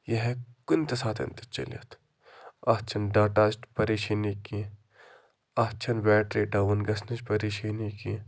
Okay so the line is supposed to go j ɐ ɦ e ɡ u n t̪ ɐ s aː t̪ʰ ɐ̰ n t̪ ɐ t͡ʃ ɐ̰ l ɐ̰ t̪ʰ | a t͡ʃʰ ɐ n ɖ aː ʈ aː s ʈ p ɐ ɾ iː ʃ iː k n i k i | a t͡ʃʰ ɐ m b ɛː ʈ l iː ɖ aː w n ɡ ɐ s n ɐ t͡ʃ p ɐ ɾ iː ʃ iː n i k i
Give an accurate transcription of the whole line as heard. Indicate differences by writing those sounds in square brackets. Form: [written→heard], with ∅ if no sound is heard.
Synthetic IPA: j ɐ ɦ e [ɡ→k] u n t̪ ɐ s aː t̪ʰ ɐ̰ n t̪ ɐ t͡ʃ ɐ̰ l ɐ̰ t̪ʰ | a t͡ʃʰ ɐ n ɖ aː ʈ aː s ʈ p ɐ ɾ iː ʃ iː [k→∅] n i k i | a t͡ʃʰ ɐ [m→n] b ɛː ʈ [l→ɾ] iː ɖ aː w n ɡ ɐ s n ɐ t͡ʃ p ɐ ɾ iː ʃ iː n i k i